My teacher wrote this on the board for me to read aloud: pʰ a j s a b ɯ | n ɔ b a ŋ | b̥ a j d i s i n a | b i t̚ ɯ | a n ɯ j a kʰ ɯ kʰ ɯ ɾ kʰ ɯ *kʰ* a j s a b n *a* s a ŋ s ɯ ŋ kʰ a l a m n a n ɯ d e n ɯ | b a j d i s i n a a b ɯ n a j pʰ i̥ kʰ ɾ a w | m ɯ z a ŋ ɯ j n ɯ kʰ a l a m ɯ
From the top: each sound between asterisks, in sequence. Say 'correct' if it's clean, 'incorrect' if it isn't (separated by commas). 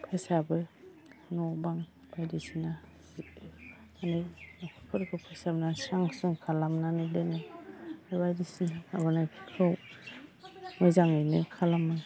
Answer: incorrect, correct